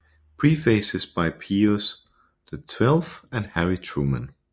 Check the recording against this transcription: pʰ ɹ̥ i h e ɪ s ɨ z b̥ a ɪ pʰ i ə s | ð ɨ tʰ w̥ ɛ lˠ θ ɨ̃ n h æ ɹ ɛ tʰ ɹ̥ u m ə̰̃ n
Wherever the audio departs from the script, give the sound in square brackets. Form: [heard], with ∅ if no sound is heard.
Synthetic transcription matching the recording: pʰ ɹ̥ i [f] e ɪ s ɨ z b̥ a ɪ pʰ i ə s | ð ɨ tʰ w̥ ɛ lˠ θ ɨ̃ n h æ ɹ [i] tʰ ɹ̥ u m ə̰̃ n

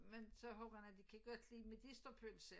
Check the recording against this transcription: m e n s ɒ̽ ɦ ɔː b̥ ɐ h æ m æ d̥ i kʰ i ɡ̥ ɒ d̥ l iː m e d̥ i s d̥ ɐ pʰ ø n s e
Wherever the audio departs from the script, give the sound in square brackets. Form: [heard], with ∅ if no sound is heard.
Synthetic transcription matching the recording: m e n s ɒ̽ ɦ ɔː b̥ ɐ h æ [n] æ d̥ i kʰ [æ] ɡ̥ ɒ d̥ l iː m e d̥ i s d̥ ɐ pʰ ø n s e

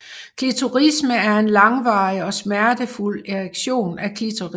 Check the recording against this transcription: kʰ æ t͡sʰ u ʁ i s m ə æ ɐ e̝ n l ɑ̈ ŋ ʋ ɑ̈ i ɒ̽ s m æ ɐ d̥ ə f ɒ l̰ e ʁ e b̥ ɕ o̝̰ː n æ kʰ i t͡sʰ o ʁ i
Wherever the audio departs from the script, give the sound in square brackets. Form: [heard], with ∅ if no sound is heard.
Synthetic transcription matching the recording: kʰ [i] t͡sʰ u ʁ i s m ə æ ɐ e̝ n l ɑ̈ ŋ ʋ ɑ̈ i ɒ̽ s m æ ɐ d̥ ə f [u] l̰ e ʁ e [ɡ̥] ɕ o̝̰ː n æ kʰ i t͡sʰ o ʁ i

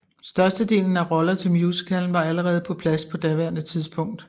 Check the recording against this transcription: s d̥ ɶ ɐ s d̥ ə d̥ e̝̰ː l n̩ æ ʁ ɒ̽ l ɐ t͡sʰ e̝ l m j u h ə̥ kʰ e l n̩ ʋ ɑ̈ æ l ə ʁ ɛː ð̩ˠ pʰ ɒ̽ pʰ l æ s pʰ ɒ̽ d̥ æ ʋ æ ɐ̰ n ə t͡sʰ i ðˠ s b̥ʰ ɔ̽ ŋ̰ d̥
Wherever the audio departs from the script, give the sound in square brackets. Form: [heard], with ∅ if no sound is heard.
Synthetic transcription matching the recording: s d̥ ɶ ɐ s d̥ ə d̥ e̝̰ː l n̩ æ ʁ ɒ̽ l ɐ t͡sʰ e̝ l m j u [s] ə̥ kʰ [æ] l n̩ ʋ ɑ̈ æ l ə ʁ ɛː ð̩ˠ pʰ ɒ̽ pʰ l æ s pʰ ɒ̽ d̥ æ ʋ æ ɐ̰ n ə t͡sʰ i ðˠ s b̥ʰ ɔ̽ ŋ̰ d̥

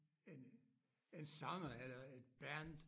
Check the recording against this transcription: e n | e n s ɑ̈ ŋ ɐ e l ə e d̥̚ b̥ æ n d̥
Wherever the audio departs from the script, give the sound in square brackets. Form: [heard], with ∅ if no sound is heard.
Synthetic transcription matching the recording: e n | e n s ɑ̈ ŋ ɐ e l [ɐ] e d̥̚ b̥ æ n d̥

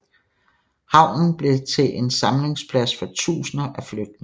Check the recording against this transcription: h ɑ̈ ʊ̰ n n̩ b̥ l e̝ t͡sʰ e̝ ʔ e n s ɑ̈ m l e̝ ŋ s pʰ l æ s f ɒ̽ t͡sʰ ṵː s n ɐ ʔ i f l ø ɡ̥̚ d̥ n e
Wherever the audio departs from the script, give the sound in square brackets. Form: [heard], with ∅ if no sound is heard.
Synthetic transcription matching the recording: h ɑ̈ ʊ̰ n n̩ b̥ l e̝ t͡sʰ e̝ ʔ e n s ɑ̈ m l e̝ ŋ s pʰ l æ s f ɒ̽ t͡sʰ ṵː s n ɐ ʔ [æ] f l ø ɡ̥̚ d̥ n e

